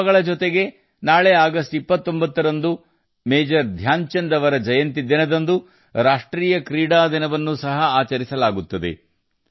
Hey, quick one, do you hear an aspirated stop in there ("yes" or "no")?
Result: no